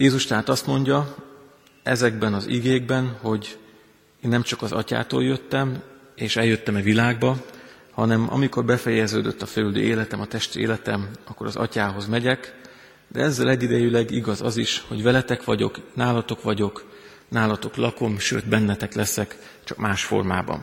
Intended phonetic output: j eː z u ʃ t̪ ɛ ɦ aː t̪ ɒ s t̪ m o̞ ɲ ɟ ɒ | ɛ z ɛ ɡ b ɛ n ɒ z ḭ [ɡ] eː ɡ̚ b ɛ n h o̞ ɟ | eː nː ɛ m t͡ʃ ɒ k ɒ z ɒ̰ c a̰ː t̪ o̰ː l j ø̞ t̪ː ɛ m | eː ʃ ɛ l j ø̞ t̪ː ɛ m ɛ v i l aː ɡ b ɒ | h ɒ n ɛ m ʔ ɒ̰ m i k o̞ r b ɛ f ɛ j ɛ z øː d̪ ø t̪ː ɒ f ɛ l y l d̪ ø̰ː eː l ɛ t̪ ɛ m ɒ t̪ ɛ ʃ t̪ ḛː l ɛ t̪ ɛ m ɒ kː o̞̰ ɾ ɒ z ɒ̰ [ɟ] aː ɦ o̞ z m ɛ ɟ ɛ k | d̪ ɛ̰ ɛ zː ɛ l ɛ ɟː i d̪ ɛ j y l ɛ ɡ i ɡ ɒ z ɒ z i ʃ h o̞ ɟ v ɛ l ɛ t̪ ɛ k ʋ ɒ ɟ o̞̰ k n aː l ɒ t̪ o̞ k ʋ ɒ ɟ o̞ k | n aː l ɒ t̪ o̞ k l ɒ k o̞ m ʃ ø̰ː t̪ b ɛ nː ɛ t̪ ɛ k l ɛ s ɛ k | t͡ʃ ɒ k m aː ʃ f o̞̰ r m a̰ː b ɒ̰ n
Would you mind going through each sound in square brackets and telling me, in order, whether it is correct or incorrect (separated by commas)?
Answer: correct, incorrect